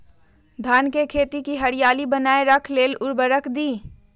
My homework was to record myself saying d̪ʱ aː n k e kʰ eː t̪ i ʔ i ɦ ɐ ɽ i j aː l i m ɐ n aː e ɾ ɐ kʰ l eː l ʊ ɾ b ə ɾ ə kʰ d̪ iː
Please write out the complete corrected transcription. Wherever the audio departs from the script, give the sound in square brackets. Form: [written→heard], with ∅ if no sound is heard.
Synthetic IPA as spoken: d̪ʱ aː n k e kʰ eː t̪ i [ʔ→k] i ɦ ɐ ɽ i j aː l i [m→b] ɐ n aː e ɾ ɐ kʰ l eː l ʊ ɾ b ə ɾ ə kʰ d̪ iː